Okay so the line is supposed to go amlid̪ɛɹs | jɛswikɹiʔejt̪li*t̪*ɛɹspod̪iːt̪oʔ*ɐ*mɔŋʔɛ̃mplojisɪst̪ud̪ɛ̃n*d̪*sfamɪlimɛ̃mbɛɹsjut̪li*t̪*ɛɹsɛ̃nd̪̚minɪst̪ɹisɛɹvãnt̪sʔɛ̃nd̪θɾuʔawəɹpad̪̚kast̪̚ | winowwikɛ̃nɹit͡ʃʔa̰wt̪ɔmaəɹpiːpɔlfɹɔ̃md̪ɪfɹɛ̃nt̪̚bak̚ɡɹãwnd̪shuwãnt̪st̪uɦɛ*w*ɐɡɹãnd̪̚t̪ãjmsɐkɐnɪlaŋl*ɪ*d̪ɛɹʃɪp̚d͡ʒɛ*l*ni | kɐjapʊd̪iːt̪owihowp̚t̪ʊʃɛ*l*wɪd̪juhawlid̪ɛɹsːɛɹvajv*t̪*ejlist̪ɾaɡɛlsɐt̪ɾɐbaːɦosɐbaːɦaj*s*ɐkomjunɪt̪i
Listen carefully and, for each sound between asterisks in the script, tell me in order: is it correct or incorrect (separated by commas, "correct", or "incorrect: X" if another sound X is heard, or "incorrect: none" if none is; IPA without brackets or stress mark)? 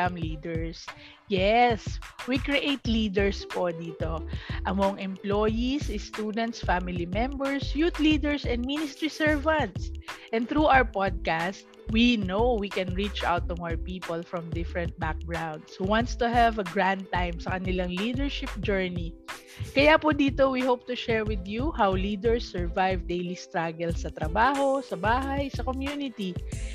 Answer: incorrect: d̪, correct, incorrect: t̪, incorrect: d̪, incorrect: v, incorrect: i, incorrect: ɹ, incorrect: ɹ, incorrect: d̪, correct